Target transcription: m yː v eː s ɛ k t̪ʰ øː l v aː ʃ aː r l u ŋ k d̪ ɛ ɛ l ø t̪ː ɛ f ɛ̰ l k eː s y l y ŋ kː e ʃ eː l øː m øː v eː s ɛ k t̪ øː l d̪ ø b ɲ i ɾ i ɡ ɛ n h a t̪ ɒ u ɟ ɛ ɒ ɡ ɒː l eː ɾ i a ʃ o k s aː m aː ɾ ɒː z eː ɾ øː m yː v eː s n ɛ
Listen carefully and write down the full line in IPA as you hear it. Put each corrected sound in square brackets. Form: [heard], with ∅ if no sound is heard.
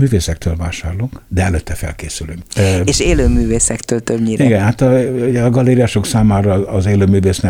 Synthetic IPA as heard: m yː v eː s ɛ k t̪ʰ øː l v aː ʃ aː r l u ŋ k d̪ ɛ ɛ l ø t̪ː ɛ f ɛ̰ l k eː s y l y ŋ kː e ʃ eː l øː m [yː] v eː s ɛ k t̪ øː l [t̪] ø b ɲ i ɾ i ɡ ɛ n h a t̪ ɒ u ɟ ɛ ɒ ɡ [ɒ] l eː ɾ i a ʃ o k s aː m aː ɾ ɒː z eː [l] øː m yː v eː s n ɛ